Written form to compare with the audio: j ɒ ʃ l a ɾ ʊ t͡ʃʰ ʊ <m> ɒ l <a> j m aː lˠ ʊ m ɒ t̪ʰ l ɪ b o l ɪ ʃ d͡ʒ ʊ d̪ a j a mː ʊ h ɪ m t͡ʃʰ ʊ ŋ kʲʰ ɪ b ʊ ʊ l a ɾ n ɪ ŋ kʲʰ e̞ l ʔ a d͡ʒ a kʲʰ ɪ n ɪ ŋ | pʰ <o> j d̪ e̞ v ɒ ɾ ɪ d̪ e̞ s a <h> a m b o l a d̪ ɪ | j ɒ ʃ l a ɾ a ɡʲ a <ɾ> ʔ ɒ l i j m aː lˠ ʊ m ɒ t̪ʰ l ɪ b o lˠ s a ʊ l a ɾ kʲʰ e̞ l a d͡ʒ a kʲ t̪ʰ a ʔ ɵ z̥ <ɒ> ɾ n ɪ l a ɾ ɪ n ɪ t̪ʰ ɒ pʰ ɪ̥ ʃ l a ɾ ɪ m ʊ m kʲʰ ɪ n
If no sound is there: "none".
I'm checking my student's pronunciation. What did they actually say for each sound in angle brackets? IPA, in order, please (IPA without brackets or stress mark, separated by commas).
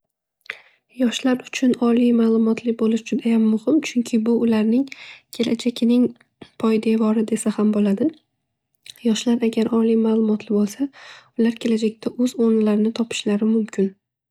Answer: n, i, ɒ, h, ɾ, o